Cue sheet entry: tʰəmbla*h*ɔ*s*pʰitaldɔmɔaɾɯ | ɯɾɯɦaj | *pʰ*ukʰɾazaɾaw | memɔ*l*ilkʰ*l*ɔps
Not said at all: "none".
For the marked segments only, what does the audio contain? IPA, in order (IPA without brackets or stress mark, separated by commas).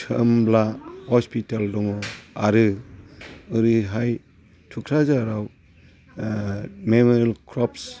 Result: h, s, tʰ, ɾ, ɾ